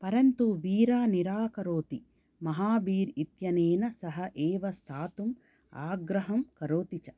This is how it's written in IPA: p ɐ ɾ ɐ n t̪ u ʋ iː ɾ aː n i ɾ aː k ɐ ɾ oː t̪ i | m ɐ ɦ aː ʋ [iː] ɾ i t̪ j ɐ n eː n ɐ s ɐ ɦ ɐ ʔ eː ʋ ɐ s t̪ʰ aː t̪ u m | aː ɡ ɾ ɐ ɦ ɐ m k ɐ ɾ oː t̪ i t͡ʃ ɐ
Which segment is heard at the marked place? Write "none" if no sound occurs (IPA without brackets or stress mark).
iː